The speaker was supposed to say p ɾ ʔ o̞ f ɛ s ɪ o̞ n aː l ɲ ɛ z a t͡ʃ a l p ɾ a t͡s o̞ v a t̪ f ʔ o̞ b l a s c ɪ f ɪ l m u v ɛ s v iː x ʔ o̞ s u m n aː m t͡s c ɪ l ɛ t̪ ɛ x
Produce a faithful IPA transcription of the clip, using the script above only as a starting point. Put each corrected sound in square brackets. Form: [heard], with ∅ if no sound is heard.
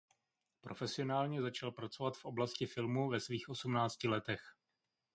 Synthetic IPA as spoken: p ɾ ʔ o̞ f ɛ s ɪ o̞ n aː l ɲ ɛ z a t͡ʃ a l p ɾ a t͡s o̞ v a t̪ f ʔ o̞ b l a s c ɪ f ɪ l m u v ɛ s v iː x ʔ o̞ s u m n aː [∅] t͡s c ɪ l ɛ t̪ ɛ x